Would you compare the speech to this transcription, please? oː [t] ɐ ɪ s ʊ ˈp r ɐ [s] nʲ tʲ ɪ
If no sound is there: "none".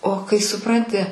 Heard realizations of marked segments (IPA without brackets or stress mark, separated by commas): k, none